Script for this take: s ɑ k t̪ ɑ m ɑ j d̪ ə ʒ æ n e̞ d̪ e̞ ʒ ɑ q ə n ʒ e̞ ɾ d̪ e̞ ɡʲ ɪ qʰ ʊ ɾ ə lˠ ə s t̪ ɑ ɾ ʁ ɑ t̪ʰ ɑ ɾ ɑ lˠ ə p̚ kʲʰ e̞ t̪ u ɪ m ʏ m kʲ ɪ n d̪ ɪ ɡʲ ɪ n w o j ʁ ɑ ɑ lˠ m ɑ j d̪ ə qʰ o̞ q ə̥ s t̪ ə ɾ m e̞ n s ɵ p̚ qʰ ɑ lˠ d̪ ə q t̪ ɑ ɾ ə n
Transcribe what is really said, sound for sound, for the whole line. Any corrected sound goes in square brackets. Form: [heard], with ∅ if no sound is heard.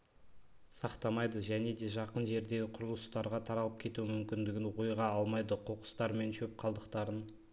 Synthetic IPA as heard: s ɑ [q] t̪ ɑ m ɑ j d̪ ə ʒ æ n e̞ d̪ e̞ ʒ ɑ q ə n ʒ e̞ ɾ d̪ e̞ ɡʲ ɪ qʰ ʊ ɾ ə lˠ ə s t̪ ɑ ɾ ʁ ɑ t̪ʰ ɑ ɾ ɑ lˠ ə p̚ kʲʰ e̞ t̪ u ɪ m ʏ m kʲ ɪ n d̪ ɪ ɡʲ ɪ n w o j ʁ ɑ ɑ lˠ m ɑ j d̪ ə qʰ o̞ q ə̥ s t̪ [ɑ] ɾ m e̞ n [ʃ] ɵ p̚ qʰ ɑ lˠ d̪ ə q t̪ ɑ ɾ ə n